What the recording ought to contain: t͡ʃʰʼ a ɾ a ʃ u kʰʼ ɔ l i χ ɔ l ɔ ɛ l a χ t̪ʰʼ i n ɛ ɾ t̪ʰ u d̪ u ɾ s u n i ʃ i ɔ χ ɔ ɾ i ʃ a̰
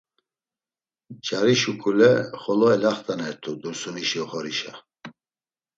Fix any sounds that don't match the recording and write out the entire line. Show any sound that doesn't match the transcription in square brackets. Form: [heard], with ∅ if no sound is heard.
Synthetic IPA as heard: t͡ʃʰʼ a ɾ [i] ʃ u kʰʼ [u] l [ɛ] χ ɔ l ɔ ɛ l a χ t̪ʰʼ [a] n ɛ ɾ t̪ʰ u d̪ u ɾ s u n i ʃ i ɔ χ ɔ ɾ i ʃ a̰